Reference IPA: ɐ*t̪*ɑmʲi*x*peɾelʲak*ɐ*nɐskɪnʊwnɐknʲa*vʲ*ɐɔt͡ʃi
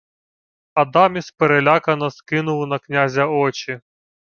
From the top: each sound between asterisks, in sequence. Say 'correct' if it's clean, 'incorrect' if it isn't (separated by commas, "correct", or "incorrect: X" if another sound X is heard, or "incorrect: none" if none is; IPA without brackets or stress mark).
incorrect: d̪, incorrect: s, correct, incorrect: zʲ